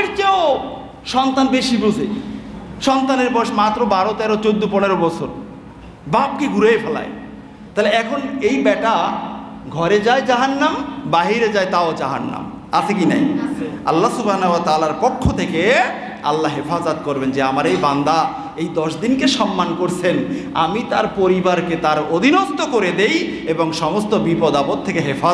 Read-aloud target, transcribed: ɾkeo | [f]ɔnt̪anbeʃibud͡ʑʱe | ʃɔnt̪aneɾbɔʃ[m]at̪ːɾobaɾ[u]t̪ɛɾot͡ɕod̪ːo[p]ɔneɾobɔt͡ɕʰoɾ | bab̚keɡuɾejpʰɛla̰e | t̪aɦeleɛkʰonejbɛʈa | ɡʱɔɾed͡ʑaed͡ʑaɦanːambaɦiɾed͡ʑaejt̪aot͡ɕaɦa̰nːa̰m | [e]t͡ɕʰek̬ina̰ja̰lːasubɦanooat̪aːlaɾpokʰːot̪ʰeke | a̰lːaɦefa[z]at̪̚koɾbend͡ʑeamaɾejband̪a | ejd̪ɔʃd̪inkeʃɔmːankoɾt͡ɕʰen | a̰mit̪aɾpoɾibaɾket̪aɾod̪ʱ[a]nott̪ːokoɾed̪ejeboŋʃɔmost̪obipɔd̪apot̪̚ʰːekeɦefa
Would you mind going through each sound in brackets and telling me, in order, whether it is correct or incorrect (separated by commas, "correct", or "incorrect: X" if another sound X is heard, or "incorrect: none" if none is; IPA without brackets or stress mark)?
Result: incorrect: ʃ, correct, incorrect: o, correct, incorrect: a, correct, incorrect: i